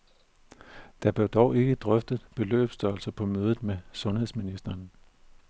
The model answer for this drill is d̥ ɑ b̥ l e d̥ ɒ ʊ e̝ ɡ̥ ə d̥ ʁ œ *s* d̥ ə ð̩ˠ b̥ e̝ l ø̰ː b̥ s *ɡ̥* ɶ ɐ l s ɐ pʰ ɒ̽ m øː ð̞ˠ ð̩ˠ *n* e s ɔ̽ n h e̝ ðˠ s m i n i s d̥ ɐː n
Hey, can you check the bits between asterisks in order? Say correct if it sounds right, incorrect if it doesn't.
incorrect: f, incorrect: d̥, incorrect: m

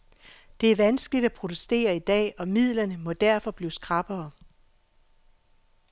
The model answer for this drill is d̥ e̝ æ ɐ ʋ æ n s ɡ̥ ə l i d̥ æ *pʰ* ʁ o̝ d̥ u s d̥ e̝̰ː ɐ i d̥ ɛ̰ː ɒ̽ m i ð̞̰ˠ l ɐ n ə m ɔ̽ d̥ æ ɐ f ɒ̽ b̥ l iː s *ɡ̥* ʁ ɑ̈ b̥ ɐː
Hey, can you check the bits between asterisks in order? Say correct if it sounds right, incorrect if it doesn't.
correct, correct

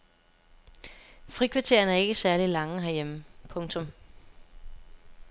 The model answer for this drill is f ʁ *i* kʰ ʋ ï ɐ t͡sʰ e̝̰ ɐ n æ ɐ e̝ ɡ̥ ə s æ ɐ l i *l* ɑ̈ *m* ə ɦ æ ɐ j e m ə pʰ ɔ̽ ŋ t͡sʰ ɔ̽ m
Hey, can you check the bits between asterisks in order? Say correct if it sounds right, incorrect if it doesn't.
correct, correct, incorrect: ŋ

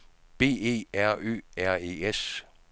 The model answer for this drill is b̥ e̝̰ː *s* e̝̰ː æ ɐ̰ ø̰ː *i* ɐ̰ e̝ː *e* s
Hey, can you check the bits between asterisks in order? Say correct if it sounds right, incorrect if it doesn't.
incorrect: none, incorrect: æ, correct

